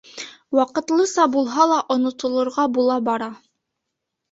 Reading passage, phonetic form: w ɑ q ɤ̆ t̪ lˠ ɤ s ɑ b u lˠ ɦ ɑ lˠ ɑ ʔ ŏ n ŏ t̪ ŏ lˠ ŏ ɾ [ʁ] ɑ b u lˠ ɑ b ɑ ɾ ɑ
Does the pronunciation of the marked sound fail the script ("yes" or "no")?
no